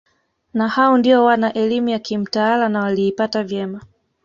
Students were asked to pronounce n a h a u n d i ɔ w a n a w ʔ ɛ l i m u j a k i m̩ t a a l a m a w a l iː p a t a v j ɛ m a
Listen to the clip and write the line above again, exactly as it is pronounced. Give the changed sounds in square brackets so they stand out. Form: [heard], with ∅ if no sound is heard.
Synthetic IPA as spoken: n a h a [ɔ] n d i ɔ w a n a [∅] ʔ ɛ l i m u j a k i m̩ t a a l a [n] a w a l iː p a t a v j ɛ m a